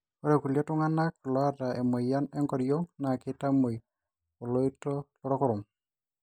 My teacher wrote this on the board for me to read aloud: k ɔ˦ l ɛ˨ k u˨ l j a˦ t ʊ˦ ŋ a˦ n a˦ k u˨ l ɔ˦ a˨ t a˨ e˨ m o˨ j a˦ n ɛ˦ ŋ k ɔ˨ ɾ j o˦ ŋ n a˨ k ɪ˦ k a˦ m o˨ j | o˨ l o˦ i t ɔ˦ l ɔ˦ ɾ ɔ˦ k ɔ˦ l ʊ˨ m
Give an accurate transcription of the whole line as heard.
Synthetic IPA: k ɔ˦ ɾ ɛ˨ k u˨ l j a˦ t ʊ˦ ŋ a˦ n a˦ k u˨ l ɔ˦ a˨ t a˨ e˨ m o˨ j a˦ n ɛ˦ ŋ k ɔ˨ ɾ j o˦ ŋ n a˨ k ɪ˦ t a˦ m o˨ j | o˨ l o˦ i t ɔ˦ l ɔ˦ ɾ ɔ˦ k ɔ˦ ɾ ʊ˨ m